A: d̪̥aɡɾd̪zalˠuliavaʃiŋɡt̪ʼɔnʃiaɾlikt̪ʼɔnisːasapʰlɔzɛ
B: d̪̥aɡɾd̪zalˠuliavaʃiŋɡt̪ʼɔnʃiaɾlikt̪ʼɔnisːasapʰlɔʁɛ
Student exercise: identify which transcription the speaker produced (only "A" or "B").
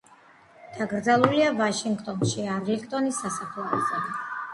A